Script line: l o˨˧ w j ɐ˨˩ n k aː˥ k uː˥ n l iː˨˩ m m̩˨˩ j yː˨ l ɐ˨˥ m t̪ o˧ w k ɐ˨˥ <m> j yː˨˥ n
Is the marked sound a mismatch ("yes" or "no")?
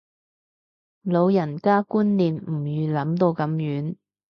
no